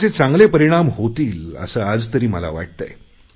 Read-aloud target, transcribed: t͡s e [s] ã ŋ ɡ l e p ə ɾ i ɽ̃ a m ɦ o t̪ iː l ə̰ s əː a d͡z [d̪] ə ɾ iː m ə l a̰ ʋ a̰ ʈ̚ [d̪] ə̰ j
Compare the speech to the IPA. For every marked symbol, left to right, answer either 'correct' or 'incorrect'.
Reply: incorrect: t͡s, incorrect: t̪, incorrect: t̪

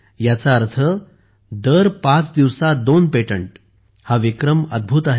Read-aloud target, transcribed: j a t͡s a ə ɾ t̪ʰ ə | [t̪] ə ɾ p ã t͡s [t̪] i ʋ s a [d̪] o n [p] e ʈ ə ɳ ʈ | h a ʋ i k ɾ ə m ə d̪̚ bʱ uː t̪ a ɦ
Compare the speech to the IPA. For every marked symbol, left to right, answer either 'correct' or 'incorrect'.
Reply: incorrect: d̪, incorrect: d̪, correct, correct

